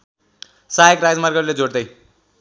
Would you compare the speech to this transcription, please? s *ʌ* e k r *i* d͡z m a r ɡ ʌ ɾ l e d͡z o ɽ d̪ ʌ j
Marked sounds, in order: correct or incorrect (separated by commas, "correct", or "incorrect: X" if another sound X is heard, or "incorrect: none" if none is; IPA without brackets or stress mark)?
incorrect: a, incorrect: a